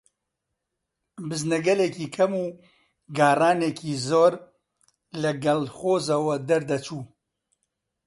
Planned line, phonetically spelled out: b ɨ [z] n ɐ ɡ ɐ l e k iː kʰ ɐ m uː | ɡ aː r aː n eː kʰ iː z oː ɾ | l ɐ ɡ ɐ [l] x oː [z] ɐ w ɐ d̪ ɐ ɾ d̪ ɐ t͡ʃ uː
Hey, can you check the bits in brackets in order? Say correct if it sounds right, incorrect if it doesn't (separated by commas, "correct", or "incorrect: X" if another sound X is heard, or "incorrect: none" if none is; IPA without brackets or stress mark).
correct, correct, correct